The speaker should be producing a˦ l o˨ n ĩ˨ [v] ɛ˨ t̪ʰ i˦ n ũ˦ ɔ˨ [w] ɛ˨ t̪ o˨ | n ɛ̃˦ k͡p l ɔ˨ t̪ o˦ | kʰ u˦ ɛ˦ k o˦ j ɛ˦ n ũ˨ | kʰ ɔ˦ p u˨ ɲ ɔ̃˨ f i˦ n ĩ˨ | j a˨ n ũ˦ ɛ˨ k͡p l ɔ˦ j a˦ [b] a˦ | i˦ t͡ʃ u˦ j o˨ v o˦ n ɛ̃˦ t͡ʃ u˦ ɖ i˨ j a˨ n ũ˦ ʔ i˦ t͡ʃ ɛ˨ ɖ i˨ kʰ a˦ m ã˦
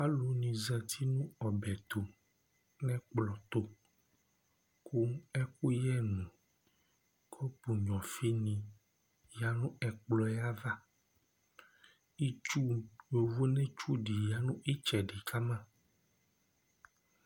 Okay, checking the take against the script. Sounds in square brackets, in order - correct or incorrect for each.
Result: incorrect: z, incorrect: b, incorrect: v

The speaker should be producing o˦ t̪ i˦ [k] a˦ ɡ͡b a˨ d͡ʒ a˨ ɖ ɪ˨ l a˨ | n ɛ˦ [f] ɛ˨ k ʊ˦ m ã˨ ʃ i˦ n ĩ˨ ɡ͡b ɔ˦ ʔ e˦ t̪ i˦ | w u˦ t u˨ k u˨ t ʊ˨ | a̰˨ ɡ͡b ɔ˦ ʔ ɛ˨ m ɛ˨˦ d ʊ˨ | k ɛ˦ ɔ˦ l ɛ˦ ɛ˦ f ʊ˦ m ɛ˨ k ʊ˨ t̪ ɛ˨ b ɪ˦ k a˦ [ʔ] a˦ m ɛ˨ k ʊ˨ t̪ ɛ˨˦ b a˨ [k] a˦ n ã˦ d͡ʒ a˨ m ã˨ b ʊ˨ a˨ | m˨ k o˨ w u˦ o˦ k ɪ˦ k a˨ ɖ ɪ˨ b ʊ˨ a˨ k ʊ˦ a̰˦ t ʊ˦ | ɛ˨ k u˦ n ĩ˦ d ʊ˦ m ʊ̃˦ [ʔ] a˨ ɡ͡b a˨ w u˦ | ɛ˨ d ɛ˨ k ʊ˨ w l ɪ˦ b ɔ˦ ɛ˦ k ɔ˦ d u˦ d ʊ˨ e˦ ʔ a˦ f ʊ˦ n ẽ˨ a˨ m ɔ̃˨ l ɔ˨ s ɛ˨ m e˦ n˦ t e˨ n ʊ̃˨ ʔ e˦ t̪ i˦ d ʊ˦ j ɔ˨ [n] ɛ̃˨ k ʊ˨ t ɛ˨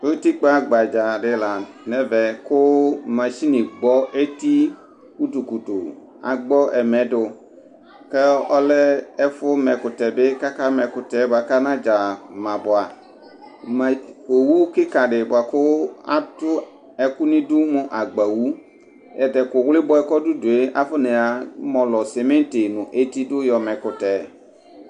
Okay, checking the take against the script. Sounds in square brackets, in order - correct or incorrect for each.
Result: incorrect: k͡p, incorrect: v, incorrect: k, correct, correct, incorrect: m

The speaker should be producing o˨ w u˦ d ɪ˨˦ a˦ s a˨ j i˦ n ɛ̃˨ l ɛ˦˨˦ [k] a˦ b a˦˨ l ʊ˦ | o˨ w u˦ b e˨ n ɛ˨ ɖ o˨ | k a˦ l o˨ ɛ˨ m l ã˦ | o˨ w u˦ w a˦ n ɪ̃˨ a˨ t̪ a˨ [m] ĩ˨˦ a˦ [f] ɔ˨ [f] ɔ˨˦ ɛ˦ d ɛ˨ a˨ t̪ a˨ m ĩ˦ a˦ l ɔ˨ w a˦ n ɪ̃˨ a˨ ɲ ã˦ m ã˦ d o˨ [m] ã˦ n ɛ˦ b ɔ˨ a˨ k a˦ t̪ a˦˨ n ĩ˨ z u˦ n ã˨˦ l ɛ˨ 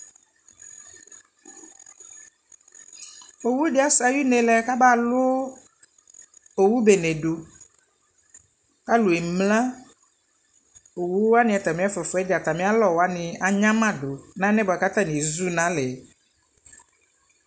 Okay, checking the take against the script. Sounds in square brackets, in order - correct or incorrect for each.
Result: correct, correct, correct, correct, incorrect: n

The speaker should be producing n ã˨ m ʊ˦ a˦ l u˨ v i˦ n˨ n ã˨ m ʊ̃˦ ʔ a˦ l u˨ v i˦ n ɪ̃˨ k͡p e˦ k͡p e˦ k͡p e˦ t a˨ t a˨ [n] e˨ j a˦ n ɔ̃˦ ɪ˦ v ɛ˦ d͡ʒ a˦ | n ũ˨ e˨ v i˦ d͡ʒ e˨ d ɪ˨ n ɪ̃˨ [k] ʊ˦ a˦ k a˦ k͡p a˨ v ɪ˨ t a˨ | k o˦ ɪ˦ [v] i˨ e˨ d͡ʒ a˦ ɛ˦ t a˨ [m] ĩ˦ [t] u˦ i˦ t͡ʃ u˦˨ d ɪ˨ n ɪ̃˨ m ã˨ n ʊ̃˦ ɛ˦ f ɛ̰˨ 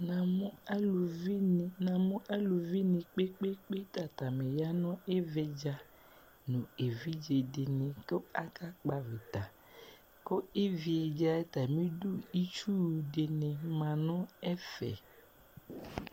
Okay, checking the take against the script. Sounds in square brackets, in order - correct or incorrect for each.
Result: incorrect: m, correct, correct, correct, incorrect: d

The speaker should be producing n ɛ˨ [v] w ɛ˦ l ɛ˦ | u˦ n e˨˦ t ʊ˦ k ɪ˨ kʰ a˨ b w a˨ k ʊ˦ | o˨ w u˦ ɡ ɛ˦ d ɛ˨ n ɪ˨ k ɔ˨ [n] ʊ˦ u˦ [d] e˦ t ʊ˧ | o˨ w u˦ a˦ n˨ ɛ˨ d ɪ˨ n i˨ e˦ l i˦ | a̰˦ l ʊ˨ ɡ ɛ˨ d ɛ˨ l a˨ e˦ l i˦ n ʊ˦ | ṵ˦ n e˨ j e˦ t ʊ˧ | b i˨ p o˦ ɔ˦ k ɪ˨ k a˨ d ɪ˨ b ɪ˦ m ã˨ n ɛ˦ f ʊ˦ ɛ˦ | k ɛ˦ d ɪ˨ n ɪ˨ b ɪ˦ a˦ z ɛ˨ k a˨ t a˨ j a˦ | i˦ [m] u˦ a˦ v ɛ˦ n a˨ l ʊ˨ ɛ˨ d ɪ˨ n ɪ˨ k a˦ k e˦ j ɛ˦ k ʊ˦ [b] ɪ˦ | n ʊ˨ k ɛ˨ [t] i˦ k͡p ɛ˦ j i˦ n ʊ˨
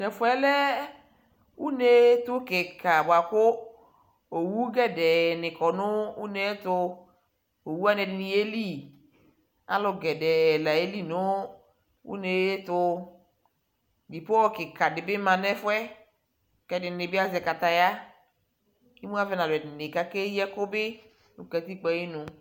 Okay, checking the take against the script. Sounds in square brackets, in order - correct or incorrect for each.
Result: incorrect: f, correct, incorrect: n, correct, correct, correct

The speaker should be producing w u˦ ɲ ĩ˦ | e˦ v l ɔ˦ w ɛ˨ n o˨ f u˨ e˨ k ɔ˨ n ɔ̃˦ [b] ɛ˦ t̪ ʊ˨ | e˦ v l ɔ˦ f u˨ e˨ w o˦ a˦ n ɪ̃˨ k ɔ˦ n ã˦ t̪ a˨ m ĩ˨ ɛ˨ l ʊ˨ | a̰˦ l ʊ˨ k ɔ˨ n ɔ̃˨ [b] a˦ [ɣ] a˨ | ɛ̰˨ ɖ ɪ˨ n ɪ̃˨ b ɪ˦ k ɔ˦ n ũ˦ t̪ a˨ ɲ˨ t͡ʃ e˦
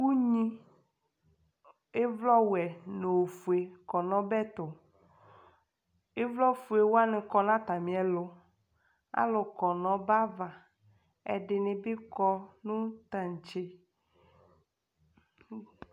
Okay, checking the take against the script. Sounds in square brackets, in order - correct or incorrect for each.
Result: correct, correct, incorrect: v

